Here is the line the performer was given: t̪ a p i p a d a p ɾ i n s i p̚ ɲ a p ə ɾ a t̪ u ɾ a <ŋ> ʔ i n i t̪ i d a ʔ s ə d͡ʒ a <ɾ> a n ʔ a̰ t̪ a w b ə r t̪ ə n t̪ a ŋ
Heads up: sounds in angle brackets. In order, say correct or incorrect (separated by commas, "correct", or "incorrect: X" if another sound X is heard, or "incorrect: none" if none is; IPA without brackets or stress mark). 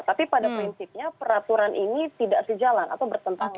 incorrect: n, incorrect: l